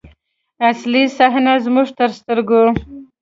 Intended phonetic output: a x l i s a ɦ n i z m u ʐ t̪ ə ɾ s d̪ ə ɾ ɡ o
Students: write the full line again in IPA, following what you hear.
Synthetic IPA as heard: a s l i s a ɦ n a z m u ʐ t̪ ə ɾ s t̪ ə ɾ ɡ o